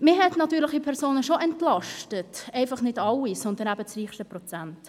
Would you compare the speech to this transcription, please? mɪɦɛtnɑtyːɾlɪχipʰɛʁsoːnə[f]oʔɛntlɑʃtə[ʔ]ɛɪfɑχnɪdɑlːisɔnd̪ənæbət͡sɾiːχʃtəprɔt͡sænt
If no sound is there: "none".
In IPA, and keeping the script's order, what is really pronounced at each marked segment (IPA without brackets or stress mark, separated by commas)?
ʃ, t